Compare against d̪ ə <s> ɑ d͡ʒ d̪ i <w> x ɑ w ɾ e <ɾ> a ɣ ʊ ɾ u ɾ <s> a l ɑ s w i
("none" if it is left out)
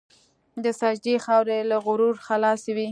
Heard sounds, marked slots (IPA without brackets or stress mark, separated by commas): s, none, l, x